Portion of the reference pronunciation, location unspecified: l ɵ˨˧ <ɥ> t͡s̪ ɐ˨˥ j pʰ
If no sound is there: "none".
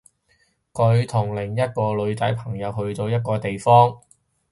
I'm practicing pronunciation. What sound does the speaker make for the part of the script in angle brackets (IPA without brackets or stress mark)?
ɥ